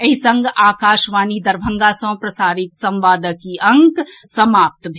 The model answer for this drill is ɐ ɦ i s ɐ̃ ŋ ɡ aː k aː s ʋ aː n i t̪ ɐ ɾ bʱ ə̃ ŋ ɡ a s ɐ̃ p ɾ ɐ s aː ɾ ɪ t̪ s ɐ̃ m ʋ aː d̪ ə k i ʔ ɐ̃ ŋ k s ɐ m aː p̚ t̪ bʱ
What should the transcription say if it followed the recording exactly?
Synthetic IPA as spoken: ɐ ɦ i s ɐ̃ ŋ ɡ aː k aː ʃ ʋ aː n i d̪ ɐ ɾ bʱ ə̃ ŋ ɡ a s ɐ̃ p ɾ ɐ s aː ɾ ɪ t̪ s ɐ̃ m ʋ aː d̪ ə k i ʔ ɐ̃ ŋ k s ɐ m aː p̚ t̪ bʱ

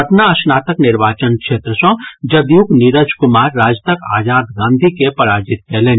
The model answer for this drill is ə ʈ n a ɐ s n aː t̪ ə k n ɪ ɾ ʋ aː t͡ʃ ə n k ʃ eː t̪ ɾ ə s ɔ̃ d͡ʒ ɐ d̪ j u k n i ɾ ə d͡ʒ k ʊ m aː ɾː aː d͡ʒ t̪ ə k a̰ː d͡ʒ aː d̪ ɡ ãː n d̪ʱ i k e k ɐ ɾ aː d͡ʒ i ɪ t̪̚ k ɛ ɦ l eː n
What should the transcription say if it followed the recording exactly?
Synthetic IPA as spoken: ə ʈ n a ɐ s n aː t̪ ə k n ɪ ɾ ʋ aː t͡ʃ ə n k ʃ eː t̪ ɾ ə s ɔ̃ d͡ʒ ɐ d̪ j u k n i ɾ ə d͡ʒ k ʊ m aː ɾː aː d͡ʒ t̪ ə k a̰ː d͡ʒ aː d̪ ɡ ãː n d̪ʱ i k e p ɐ ɾ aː d͡ʒ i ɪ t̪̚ k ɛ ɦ l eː n

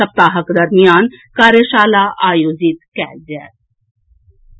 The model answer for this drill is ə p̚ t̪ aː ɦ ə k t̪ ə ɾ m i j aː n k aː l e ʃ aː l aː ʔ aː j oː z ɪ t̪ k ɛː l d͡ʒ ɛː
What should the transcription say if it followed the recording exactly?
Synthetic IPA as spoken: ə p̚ t̪ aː ɦ ə k d̪ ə ɾ m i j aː n k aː ɾ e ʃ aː l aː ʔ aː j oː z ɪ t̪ k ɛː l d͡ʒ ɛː

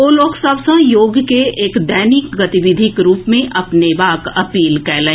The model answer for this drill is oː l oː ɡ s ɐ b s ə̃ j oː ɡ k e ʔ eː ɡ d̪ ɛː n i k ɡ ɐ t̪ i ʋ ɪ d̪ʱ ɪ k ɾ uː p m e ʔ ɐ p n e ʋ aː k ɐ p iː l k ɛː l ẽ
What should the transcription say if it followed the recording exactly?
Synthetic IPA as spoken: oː l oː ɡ s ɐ b s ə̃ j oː ɡ k e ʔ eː k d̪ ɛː n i k ɡ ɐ t̪ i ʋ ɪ d̪ʱ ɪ k ɾ uː p m ẽ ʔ ɐ p n e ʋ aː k ɐ p iː l k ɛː l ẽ

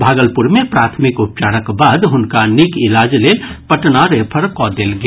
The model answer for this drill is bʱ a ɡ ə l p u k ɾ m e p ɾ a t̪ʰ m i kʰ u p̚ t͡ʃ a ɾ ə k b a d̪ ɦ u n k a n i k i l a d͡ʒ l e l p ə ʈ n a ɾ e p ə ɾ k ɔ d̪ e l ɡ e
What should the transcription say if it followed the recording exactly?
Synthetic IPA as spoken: bʱ a ɡ ə l p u ɾ m e p ɾ a t̪ʰ m i k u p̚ t͡ʃ a ɾ ə k b a d̪ ɦ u n k a n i k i l a d͡ʒ l e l p ə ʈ n a ɾ e pʰ ə ɾ k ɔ d̪ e l ɡ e

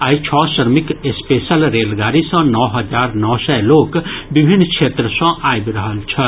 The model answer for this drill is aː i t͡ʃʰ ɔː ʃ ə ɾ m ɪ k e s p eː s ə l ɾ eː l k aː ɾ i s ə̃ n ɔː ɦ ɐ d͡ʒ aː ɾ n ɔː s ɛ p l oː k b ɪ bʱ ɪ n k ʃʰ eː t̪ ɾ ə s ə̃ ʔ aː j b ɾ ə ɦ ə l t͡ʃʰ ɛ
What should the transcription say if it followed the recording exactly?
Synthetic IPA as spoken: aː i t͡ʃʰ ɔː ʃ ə ɾ m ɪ k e s p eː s ə l ɾ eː l ɡ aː ɾ i s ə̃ n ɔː ɦ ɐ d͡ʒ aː ɾ n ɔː s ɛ l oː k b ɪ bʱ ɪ n k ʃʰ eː t̪ ɾ ə s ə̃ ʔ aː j b ɾ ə ɦ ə l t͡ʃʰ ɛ

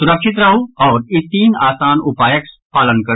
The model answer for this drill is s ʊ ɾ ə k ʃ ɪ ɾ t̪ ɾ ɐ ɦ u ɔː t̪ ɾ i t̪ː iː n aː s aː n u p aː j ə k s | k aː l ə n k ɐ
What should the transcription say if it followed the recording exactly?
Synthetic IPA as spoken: s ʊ ɾ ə k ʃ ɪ t̪ ɾ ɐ ɦ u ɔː ɾ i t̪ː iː n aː s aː n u p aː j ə k s | p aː l ə n k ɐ

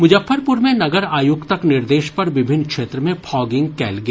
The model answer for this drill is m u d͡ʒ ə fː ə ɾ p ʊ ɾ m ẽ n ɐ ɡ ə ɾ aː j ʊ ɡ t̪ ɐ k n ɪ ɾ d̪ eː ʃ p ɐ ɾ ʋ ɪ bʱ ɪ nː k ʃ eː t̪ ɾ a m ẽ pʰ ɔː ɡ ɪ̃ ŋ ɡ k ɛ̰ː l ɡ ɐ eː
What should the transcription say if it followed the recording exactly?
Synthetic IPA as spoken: m ʊ d͡ʒ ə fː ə ɾ p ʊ ɾ m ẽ n ɐ ɡ ə ɾ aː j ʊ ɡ t̪ ɐ k n ɪ ɾ d̪ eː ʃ p ɐ ɾ ʋ ɪ bʱ ɪ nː k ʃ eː t̪ ɾ ə m ẽ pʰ ɔː ɡ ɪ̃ ŋ ɡ k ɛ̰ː l ɡ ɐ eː

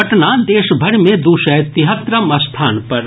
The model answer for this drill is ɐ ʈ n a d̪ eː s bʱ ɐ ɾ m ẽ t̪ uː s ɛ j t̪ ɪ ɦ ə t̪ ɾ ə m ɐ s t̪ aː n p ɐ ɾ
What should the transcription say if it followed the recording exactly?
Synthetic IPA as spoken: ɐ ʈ n a d̪ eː ʃ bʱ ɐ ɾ m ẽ d̪ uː ʃ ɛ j t̪ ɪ ɦ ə t̪ ɾ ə m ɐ s t̪ʰ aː n p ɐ ɾ

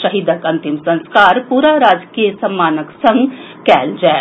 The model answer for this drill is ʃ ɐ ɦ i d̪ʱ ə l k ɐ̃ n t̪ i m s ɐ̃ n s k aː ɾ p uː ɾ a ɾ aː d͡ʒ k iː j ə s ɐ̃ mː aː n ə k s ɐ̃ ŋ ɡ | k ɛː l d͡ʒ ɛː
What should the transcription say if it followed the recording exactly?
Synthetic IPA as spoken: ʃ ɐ ɦ i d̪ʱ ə k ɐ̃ n t̪ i m s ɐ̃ n s k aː ɾ p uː ɾ a ɾ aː d͡ʒ k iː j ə s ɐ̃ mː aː n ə k s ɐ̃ ŋ ɡ | k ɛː l d͡ʒ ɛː

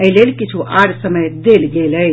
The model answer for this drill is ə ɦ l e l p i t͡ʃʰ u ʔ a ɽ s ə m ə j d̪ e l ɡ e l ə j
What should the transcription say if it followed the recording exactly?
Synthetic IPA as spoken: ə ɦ l e l k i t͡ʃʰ u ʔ a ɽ s ə m ə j d̪ e l ɡ e l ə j

